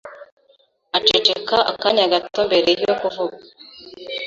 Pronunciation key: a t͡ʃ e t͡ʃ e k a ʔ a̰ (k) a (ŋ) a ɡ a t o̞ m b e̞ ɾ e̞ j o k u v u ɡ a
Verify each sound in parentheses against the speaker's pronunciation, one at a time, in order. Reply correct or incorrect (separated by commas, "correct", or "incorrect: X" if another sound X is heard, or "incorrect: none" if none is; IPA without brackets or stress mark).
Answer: correct, incorrect: ɲ